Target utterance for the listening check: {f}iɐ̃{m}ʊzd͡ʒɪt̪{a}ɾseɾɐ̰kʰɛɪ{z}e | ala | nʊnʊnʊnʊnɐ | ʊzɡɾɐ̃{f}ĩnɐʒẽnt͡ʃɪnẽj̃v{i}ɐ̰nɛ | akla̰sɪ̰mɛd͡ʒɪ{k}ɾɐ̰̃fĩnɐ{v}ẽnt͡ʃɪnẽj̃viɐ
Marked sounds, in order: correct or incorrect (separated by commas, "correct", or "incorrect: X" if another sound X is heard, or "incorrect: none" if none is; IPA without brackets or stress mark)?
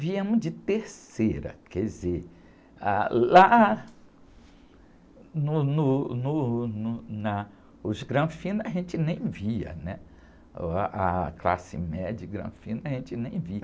incorrect: v, correct, incorrect: e, correct, correct, correct, incorrect: ɡ, incorrect: ʒ